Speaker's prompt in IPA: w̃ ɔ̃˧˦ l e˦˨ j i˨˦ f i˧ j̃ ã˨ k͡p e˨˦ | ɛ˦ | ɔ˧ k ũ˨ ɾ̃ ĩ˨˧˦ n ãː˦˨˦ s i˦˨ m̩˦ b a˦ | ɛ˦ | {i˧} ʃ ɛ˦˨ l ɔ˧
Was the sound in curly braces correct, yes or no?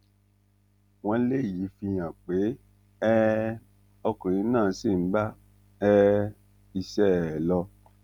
yes